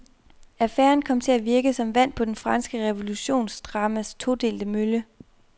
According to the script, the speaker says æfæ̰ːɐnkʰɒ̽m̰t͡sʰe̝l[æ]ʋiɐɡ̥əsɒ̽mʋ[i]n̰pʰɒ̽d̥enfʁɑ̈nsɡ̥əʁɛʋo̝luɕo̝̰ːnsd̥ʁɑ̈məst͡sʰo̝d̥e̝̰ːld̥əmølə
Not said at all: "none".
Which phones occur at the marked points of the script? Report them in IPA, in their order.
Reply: æ, æ

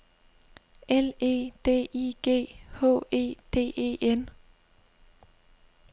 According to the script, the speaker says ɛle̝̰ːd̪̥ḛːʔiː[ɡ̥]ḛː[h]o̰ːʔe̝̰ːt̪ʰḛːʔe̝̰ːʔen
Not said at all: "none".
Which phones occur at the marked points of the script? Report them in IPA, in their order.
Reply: ɡ̥, h

